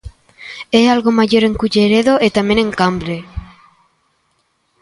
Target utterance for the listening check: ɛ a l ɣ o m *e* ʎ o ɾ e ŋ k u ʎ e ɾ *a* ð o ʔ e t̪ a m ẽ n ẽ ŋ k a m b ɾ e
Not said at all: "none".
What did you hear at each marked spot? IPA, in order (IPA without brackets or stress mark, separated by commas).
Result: a, e